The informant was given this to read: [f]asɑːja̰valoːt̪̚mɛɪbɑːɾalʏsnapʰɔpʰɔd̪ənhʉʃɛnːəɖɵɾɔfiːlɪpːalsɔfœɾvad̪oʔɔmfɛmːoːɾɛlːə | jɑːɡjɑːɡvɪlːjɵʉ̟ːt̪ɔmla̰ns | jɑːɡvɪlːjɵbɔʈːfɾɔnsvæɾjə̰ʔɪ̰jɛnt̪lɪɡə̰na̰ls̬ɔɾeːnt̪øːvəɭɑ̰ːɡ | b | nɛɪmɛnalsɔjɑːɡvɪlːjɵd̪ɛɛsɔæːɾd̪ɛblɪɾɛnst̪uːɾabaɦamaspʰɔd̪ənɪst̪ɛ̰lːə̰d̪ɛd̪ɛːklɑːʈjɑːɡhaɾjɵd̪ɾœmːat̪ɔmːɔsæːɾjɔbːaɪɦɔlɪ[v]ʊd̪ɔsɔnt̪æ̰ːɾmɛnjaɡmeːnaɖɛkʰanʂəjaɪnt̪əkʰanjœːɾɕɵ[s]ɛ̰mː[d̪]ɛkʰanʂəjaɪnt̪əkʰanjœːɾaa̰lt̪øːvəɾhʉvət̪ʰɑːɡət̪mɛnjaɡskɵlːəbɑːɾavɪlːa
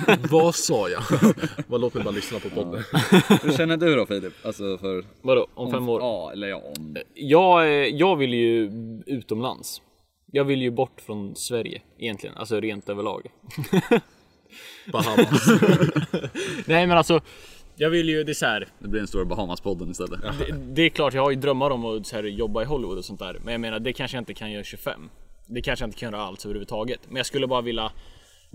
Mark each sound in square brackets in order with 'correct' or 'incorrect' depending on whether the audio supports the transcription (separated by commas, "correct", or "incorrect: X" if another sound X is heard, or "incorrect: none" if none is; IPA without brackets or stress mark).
incorrect: v, correct, incorrect: f, correct